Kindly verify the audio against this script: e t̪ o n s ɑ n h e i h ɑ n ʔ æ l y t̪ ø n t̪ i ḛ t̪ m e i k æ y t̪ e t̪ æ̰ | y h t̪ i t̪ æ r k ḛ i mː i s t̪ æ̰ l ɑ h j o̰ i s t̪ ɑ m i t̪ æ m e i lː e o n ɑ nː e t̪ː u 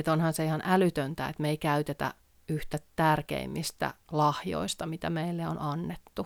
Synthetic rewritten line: e t̪ o n h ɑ n s e i h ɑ n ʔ æ l y t̪ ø n t̪ æ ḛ t̪ m e i k æ y t̪ e t̪ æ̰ | y h t̪ æ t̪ æ r k ḛ i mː i s t̪ æ̰ l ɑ h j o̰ i s t̪ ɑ m i t̪ æ m e i lː e o n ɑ nː e t̪ː u